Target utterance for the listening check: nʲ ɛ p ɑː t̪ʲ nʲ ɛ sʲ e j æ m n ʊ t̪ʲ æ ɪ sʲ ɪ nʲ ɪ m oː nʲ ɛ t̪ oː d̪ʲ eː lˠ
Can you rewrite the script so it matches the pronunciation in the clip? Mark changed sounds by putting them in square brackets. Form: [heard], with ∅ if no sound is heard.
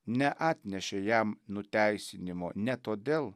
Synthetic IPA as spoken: nʲ ɛ [ʔ] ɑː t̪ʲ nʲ ɛ [ʃʲ] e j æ m n ʊ t̪ʲ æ ɪ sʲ ɪ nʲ ɪ m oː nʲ ɛ t̪ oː d̪ʲ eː lˠ